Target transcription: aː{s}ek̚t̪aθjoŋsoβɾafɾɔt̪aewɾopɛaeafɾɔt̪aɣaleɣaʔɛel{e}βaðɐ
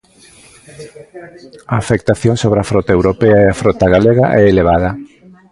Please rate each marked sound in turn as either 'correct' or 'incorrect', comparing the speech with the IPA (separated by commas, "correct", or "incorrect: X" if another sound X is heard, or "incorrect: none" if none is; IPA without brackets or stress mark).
incorrect: f, correct